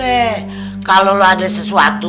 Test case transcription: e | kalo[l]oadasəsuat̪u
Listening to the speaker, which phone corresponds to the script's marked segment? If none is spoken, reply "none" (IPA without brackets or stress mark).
l